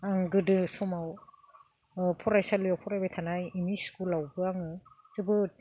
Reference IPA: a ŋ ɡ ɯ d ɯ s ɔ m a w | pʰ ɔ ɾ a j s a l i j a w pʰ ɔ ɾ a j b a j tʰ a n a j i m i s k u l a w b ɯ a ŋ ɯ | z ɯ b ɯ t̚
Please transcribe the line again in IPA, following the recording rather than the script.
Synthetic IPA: a ŋ ɡ ɯ d ɯ s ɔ m a w | pʰ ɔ ɾ a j s a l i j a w pʰ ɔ ɾ a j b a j tʰ a n a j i m i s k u l a w b ɯ a ŋ ɯ | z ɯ b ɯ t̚

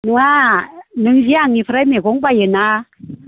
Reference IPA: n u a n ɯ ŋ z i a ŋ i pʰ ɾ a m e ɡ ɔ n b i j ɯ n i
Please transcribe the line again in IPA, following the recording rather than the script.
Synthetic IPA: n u a n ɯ ŋ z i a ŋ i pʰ ɾ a m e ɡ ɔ ŋ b a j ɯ n a

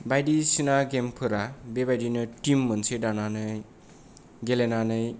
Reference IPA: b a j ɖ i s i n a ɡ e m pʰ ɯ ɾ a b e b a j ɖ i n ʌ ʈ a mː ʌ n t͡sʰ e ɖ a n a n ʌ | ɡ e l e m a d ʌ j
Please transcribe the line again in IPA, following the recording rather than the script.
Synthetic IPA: b a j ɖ i s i n a ɡ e m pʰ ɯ ɾ a b e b a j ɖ i n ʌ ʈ i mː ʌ n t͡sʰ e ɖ a n a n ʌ | ɡ e l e n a n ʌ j

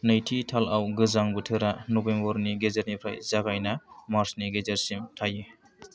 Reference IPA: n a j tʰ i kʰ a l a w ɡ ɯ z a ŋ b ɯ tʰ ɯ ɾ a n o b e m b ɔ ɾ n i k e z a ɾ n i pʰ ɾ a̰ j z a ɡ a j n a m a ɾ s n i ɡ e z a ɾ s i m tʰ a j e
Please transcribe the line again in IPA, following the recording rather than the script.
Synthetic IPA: n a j tʰ i tʰ a l a w ɡ ɯ z a ŋ b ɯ tʰ ɯ ɾ a n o b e m b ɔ ɾ n i ɡ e z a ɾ n i pʰ ɾ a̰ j z a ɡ a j n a m a ɾ s n i ɡ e z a ɾ s i m tʰ a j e

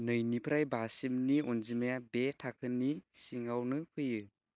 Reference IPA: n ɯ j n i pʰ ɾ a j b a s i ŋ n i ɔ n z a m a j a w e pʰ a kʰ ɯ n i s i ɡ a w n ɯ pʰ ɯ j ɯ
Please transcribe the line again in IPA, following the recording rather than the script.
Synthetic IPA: n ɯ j n i pʰ ɾ a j b a s i m n i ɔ n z i m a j a b e tʰ a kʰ ɯ n i s i ŋ a w n ɯ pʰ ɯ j ɯ

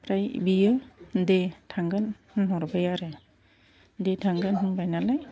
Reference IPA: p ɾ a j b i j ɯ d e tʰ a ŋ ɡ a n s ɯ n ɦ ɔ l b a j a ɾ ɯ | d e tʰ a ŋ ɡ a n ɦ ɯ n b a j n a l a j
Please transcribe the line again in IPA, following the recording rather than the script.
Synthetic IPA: p ɾ a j b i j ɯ d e tʰ a ŋ ɡ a n h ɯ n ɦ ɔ ɾ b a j a ɾ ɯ | d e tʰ a ŋ ɡ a n ɦ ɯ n b a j n a l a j

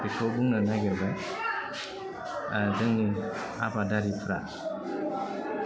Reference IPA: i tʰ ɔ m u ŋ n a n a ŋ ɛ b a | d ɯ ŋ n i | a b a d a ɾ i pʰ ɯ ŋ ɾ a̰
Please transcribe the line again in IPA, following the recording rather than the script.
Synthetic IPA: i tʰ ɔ b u ŋ n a n a ɡ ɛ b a | d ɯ ŋ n i | a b a d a ɾ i pʰ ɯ ɾ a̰

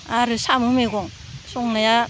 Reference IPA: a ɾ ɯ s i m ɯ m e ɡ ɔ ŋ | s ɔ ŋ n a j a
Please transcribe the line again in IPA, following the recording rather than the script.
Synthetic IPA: a ɾ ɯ s a m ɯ m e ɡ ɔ ŋ | s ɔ ŋ n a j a

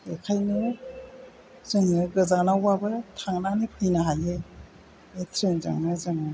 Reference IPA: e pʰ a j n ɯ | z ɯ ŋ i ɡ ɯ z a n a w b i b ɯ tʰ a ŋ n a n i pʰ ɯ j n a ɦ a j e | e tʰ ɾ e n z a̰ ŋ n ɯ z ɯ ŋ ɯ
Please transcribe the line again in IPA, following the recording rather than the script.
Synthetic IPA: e kʰ a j n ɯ | z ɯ ŋ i ɡ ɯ z a n a w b a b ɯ tʰ a ŋ n a n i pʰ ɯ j n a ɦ a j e | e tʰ ɾ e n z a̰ ŋ n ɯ z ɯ ŋ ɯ

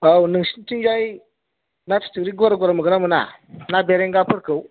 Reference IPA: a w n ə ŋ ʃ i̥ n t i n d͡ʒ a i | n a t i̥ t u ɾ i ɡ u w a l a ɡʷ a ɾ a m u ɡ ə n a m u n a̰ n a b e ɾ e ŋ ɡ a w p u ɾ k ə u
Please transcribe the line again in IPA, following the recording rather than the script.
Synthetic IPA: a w n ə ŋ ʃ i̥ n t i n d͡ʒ a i | n a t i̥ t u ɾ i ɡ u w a ɾ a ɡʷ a ɾ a m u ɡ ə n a m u n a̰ n a b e ɾ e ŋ ɡ a p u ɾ k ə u

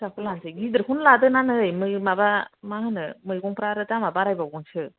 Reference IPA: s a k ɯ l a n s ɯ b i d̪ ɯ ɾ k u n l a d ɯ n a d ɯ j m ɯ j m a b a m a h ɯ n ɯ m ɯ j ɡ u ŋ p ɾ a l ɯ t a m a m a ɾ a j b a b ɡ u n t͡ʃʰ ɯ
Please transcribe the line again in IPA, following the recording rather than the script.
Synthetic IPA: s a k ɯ l a n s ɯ ɡ i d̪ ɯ ɾ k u n l a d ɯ n a n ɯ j m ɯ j m a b a m a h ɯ n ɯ m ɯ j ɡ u ŋ p ɾ a ɾ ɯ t a m a b a ɾ a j b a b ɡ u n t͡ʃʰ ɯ

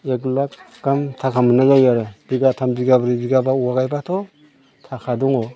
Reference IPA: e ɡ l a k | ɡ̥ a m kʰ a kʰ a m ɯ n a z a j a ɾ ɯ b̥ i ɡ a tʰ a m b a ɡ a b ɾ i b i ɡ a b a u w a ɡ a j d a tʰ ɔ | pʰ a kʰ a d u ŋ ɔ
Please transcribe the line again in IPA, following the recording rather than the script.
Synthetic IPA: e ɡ l a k | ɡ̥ a m tʰ a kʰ a m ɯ n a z a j a ɾ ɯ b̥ i ɡ a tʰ a m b i ɡ a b ɾ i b i ɡ a b a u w a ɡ a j b a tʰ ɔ | tʰ a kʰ a d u ŋ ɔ

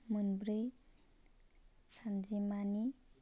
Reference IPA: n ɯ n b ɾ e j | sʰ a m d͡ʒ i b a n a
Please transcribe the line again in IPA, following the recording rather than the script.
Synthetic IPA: m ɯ n b ɾ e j | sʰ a n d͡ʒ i m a n i

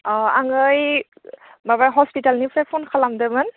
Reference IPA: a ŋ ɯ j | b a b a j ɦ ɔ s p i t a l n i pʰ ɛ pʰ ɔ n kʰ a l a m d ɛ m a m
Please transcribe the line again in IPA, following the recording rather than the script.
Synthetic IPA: a ŋ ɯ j | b a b a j ɦ ɔ s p i t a l n i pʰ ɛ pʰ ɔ n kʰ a l a m d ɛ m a n

